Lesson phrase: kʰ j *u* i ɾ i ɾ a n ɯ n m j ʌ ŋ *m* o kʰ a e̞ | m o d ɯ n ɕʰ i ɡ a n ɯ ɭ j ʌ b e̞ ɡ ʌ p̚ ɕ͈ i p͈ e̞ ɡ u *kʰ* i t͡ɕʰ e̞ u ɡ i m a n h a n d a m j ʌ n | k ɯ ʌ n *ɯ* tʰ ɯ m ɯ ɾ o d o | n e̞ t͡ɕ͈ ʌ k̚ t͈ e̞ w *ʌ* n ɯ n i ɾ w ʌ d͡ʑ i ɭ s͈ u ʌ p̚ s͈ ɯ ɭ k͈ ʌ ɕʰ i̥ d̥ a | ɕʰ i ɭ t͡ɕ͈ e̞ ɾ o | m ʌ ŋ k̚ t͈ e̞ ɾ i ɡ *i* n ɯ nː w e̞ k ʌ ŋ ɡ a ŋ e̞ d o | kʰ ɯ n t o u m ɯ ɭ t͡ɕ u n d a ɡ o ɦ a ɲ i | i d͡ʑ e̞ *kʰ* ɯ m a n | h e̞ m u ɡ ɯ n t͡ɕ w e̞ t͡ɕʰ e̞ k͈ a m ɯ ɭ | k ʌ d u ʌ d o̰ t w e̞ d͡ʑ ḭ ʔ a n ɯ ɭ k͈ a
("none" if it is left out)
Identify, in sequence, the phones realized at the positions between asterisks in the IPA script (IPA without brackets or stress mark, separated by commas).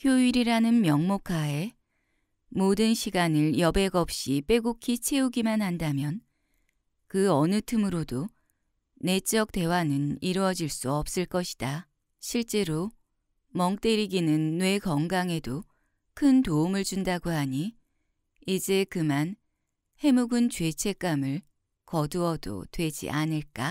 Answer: o, m, kʰ, ɯ, a, i, k